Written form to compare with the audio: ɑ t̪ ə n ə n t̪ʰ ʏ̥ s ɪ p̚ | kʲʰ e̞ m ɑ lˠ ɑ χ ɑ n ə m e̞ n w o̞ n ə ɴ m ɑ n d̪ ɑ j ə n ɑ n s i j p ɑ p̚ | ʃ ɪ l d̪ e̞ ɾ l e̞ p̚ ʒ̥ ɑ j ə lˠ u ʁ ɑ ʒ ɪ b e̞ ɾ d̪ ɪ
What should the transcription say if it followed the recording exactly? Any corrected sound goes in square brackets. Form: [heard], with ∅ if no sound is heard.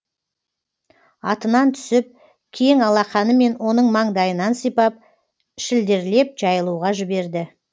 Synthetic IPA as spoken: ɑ t̪ ə n [ɑ] n t̪ʰ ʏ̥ s ɪ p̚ | kʲʰ e̞ [ŋ] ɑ lˠ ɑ χ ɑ n ə m e̞ n w o̞ n ə ɴ m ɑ [ɴ] d̪ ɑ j ə n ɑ n s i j p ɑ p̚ | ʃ ɪ l d̪ e̞ ɾ l e̞ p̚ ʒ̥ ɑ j ə lˠ u ʁ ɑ ʒ ɪ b e̞ ɾ d̪ ɪ